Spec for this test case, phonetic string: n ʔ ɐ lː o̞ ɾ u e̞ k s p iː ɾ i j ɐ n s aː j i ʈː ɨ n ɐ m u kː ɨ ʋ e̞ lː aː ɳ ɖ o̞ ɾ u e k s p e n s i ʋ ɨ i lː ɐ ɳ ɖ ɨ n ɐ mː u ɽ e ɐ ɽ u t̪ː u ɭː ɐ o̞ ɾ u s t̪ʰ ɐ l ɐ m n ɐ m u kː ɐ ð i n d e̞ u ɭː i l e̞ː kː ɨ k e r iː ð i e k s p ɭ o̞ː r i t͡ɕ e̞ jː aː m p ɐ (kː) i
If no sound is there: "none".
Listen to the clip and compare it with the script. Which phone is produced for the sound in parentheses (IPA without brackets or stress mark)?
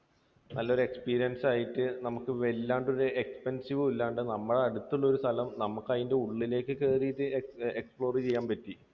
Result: tː